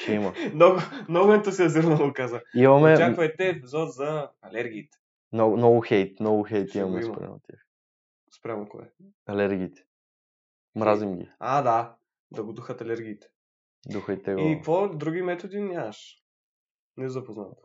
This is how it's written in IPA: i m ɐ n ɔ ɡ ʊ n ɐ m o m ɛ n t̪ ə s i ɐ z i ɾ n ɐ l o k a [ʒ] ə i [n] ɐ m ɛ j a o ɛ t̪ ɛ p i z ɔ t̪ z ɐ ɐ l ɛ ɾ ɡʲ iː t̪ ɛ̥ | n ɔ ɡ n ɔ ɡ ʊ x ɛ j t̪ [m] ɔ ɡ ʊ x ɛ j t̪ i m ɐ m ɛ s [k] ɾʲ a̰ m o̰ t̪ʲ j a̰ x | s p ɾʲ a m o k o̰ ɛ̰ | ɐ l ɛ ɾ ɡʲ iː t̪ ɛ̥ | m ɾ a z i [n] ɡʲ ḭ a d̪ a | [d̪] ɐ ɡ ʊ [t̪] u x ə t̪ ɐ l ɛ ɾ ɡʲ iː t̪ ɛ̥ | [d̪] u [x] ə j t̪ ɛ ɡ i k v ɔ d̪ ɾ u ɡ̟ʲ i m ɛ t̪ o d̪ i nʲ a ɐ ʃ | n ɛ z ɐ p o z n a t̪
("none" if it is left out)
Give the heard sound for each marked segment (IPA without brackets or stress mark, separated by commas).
z, m, n, p, m, d̪, d̪, d̪, x